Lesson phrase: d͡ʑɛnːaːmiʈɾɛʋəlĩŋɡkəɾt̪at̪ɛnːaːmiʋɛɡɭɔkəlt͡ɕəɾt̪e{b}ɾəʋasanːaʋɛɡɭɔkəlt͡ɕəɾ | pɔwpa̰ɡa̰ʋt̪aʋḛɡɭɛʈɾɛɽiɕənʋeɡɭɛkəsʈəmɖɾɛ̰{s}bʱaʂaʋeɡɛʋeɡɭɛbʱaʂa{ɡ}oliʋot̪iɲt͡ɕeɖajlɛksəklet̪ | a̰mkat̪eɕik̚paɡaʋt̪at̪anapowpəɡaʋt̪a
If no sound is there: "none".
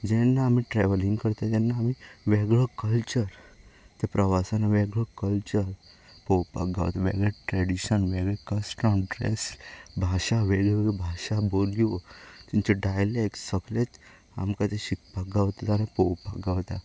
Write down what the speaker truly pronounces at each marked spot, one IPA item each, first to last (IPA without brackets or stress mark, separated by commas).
p, s, b